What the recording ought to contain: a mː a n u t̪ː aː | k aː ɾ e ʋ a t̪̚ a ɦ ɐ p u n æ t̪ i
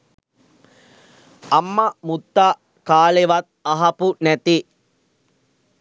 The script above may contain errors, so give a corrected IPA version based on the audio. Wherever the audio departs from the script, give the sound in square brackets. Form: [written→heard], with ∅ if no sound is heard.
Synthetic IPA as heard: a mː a [n→m] u t̪ː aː | k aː [ɾ→l] e ʋ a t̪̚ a ɦ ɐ p u n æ t̪ i